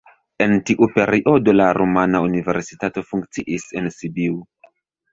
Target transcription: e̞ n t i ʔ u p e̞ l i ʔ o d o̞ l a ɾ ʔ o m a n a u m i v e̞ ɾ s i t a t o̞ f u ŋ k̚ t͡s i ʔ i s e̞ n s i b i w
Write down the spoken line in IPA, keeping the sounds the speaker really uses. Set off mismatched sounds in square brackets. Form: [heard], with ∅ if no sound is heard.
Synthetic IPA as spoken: e̞ n t i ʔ u p e̞ [ɾ] i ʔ o d o̞ l a ɾ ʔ o m a n a u [n] i v e̞ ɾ s i t a t o̞ f u ŋ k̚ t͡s i ʔ i s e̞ n s i b i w